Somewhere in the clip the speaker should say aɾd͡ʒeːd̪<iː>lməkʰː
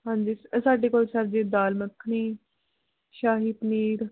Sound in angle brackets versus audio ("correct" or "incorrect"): incorrect